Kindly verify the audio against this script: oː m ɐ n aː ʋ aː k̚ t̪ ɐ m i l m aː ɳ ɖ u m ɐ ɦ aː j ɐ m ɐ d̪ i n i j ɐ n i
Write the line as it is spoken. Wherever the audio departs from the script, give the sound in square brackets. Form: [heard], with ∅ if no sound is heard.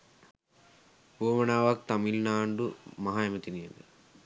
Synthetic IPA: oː m ɐ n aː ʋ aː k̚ t̪ ɐ m i l [n] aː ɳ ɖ u m ɐ ɦ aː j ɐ m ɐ [t̪] i n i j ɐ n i